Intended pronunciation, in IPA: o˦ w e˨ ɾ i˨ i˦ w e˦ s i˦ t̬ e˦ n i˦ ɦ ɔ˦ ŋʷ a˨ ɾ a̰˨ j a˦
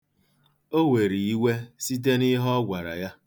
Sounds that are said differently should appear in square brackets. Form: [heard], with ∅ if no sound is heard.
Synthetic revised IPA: o˦ w e˨ ɾ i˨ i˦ w e˦ s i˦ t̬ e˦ n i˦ ɦ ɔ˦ [ɡʷ] a˨ ɾ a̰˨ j a˦